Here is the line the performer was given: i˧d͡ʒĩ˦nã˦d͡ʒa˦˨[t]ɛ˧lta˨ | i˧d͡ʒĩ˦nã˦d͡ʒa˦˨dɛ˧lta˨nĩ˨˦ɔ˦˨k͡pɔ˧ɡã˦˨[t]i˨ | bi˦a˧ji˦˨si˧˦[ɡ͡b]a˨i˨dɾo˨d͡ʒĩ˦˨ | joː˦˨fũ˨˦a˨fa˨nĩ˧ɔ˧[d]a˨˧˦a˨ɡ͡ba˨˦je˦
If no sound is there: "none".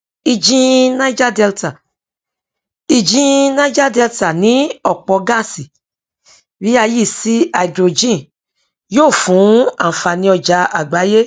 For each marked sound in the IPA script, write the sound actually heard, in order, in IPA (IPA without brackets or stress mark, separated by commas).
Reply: d, s, none, d͡ʒ